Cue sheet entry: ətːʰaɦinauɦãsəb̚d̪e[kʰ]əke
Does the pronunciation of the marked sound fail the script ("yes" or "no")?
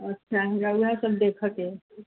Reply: no